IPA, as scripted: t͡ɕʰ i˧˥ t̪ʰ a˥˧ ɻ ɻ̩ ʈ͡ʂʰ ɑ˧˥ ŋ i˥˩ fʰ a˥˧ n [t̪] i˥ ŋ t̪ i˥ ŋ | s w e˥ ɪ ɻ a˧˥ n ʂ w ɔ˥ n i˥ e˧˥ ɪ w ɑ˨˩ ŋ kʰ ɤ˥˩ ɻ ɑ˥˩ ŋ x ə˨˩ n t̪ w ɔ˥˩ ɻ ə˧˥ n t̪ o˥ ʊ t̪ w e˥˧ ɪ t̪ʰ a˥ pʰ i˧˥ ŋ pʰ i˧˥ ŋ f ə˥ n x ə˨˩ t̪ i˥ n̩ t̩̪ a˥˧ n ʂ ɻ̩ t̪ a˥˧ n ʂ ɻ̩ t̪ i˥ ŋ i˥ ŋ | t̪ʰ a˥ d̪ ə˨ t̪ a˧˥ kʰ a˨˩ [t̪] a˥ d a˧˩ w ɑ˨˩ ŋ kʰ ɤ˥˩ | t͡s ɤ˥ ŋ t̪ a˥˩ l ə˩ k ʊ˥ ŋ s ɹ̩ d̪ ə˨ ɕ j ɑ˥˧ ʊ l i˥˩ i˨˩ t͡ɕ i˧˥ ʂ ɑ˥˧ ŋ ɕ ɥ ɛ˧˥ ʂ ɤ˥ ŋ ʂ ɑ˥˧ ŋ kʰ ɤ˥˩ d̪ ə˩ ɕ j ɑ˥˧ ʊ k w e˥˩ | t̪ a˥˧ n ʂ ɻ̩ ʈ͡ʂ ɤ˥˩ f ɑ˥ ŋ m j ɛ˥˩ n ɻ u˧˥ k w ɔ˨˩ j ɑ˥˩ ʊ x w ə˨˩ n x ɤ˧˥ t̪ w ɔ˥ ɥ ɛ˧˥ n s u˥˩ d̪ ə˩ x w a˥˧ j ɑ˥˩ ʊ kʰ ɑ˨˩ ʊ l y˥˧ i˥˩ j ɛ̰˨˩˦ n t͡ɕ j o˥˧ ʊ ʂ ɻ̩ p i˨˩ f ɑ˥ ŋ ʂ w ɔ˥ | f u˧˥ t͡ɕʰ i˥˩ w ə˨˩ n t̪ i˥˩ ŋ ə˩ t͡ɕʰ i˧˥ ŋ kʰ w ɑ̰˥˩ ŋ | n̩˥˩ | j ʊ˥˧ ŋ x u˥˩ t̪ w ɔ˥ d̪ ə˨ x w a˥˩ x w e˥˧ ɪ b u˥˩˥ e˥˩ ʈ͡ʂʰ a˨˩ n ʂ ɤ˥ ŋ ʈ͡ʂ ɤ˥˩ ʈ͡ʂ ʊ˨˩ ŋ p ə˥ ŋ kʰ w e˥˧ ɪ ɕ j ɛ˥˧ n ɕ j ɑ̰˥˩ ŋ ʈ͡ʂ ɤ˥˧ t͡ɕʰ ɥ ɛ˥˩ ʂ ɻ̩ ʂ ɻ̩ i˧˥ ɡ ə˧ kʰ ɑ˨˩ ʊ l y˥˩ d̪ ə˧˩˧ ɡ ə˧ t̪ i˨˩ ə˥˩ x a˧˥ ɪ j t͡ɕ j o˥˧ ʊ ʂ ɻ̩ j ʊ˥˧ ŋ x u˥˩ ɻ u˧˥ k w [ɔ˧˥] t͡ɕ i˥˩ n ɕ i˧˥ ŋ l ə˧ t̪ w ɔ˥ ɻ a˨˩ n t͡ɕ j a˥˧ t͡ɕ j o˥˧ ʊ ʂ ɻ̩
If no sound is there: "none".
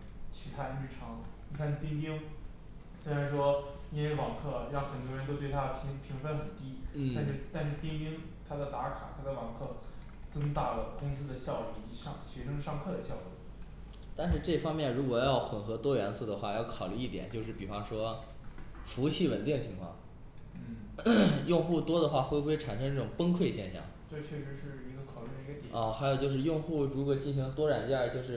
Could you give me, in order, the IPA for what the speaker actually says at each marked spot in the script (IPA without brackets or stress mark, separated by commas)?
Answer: t̪, t̪ʰ, ɔ˨˩